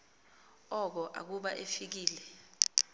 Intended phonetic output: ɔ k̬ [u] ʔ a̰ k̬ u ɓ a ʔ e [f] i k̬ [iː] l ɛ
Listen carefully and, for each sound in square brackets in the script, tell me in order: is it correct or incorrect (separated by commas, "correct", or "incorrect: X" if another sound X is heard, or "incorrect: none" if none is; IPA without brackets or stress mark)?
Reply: incorrect: ɔ, correct, correct